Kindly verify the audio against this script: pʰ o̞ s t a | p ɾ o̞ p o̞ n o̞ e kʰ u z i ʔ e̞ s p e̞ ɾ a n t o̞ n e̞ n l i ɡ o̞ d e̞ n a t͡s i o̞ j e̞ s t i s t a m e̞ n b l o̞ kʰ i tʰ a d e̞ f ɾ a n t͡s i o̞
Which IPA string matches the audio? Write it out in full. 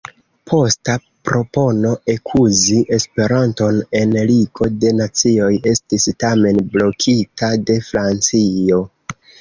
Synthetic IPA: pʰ o̞ s t a | p ɾ o̞ p o̞ n o̞ e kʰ u z i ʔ e̞ s p e̞ ɾ a n t o̞ n e̞ n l i ɡ o̞ d e̞ n a t͡s i o̞ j e̞ s t i s t a m e̞ n b l o̞ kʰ i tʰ a d e̞ f ɾ a n t͡s i o̞